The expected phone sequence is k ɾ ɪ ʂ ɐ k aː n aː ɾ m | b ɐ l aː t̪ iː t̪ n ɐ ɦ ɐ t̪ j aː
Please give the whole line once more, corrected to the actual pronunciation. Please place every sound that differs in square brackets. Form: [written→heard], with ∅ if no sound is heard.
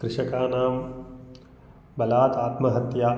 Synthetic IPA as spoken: k ɾ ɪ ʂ ɐ k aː n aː [ɾ→∅] m | b ɐ l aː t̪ [iː→aː] t̪ [n→m] ɐ ɦ ɐ t̪ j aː